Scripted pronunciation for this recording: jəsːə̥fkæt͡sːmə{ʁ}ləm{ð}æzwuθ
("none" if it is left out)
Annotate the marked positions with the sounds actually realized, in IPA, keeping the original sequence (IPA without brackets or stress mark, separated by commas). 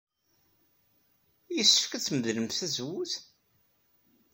ð, θ